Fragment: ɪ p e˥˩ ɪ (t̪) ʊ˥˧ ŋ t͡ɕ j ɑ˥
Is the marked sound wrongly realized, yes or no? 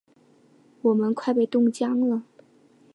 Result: no